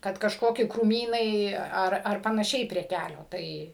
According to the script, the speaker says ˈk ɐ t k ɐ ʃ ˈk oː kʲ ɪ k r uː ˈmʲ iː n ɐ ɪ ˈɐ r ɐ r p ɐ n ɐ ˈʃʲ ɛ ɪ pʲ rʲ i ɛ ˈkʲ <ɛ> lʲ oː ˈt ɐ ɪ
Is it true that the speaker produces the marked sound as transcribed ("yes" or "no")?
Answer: no